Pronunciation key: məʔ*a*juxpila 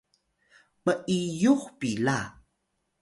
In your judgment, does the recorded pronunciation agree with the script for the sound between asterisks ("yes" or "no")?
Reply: no